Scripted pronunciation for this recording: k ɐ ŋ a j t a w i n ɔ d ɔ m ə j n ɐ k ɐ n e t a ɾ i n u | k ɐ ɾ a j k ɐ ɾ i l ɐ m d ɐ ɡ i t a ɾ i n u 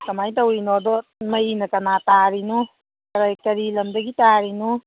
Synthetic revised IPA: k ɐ m a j t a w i n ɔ d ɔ m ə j n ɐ k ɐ n a t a ɾ i n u | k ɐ ɾ a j k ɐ ɾ i l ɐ m d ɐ ɡ i t a ɾ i n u